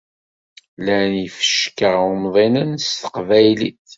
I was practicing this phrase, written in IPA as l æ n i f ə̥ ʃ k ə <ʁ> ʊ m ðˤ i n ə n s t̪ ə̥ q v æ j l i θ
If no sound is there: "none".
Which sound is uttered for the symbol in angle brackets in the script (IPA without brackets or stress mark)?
ʁ